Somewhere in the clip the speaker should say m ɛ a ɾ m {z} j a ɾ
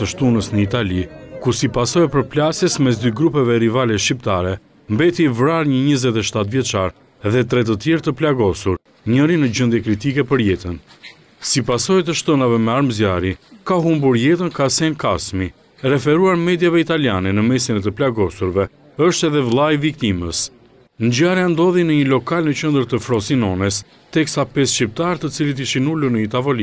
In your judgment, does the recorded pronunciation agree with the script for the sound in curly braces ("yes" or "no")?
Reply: yes